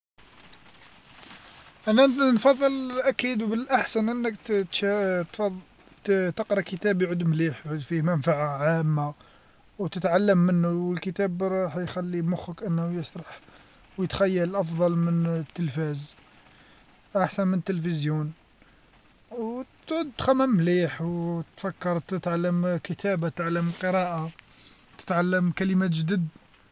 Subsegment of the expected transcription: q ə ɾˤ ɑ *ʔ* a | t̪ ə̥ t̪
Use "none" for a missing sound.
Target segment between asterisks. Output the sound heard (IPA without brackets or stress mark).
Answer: ʔ